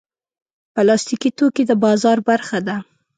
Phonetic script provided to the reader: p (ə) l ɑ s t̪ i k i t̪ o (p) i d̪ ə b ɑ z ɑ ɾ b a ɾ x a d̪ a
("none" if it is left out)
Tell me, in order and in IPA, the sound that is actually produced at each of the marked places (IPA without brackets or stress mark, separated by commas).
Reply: ə, k